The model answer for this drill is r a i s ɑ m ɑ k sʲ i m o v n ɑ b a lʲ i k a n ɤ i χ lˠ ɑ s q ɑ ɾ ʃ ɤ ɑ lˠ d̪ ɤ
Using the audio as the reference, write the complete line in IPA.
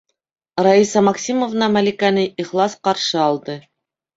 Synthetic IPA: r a i s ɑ m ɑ k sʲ i m o v n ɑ m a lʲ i k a n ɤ i χ lˠ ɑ s q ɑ ɾ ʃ ɤ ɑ lˠ d̪ ɤ